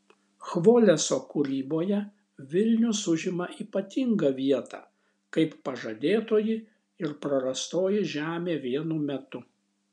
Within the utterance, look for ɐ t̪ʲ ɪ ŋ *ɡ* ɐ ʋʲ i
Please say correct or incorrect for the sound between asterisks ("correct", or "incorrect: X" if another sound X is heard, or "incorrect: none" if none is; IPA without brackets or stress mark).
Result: correct